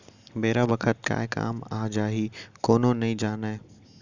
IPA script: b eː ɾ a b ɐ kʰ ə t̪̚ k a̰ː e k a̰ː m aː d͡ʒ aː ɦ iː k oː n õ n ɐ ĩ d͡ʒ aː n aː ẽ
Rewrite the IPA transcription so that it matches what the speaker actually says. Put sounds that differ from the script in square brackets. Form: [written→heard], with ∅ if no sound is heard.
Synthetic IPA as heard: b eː ɾ a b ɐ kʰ ə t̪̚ k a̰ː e k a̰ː m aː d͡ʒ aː ɦ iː k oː n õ n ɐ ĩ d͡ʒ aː n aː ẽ